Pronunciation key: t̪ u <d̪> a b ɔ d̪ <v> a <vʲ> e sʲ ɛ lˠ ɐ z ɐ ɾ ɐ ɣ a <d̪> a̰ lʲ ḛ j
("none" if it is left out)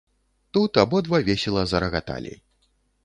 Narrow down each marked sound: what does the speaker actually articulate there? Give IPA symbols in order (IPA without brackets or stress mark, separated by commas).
t̪, v, vʲ, t̪